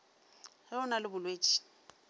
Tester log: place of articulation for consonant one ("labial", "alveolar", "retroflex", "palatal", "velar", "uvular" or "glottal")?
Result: glottal